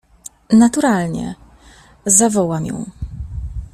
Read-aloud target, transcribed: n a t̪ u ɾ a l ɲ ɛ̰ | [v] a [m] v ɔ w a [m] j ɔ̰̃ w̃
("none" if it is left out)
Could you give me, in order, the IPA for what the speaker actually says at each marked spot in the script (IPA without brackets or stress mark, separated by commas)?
z, none, m